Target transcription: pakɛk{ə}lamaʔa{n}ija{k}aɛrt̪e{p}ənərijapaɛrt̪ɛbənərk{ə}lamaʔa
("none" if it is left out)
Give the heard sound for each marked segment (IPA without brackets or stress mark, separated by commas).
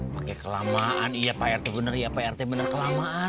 ə, n, p, b, ə